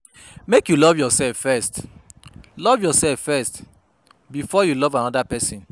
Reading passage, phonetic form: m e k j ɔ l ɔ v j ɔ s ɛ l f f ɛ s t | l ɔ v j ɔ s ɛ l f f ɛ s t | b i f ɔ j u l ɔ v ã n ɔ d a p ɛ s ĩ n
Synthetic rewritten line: m e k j u l ɔ v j ɔ s ɛ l f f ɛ s t | l ɔ v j ɔ s ɛ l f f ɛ s t | b i f ɔ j u l ɔ v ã n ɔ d a p ɛ s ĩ n